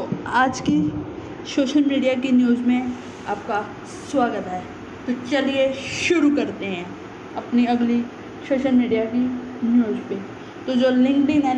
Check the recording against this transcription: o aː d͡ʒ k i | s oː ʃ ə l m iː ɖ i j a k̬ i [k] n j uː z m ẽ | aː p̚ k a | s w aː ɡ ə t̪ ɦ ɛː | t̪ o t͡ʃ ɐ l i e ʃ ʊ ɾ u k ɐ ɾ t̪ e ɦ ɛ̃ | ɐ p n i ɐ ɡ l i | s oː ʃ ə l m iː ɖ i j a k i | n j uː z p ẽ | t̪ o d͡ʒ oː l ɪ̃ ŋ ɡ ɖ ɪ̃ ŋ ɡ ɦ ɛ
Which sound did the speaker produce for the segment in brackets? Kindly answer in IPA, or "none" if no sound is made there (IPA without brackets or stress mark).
none